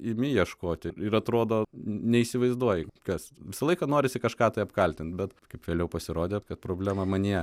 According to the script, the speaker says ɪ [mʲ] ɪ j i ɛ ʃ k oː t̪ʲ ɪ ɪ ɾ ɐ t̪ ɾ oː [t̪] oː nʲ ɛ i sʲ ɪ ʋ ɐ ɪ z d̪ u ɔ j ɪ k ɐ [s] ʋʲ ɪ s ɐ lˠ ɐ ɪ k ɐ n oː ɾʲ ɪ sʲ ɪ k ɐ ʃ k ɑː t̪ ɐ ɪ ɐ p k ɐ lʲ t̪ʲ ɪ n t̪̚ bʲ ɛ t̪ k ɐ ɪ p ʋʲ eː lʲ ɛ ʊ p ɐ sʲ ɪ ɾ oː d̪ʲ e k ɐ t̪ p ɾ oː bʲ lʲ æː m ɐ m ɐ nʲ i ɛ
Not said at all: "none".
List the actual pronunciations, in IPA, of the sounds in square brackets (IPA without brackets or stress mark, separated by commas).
mʲ, d̪, s